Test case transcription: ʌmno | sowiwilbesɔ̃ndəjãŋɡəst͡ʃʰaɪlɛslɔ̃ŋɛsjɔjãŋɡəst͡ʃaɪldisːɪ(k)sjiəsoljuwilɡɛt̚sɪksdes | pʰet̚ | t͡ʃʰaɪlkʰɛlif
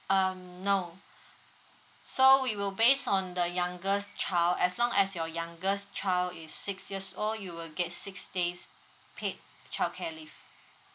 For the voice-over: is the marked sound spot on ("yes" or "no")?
yes